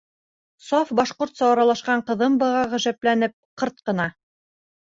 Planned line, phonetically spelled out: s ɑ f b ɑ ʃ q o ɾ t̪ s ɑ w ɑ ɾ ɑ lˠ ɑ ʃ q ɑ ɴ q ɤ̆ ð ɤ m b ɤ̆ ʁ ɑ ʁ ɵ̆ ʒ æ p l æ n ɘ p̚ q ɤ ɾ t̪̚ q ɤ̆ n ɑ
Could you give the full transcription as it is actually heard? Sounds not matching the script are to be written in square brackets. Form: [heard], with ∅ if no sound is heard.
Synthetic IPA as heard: s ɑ f b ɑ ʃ q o ɾ t̪ s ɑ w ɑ ɾ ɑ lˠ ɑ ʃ q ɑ ɴ q ɤ̆ ð ɤ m b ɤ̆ ʁ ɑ ʁ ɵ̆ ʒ æ p l æ n ɘ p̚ q ɤ ɾ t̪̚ q ɤ̆ n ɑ